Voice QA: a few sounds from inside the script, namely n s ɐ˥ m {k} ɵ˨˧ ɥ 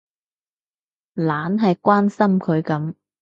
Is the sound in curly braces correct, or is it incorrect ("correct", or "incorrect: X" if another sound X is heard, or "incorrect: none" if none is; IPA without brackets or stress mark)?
incorrect: kʰ